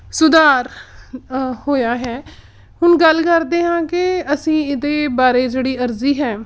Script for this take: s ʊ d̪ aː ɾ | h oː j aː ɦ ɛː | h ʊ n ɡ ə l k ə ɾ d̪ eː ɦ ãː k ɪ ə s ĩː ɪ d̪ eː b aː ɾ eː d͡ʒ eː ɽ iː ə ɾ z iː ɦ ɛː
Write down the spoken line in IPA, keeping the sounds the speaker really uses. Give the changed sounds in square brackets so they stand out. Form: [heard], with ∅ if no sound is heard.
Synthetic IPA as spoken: s ʊ d̪ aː ɾ | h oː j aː ɦ ɛː | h ʊ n ɡ ə l k ə ɾ d̪ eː ɦ ãː k ɪ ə s ĩː ɪ d̪ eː b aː ɾ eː d͡ʒ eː ɽ iː ə ɾ z iː ɦ ɛː